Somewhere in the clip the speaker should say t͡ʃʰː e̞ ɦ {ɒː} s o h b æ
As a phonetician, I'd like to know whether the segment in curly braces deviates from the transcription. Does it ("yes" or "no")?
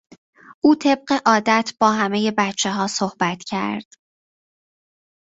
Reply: no